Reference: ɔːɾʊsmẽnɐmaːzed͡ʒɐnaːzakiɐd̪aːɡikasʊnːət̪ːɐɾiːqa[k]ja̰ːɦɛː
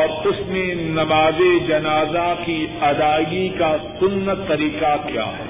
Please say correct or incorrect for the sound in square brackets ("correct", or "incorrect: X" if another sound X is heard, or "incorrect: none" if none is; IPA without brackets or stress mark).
correct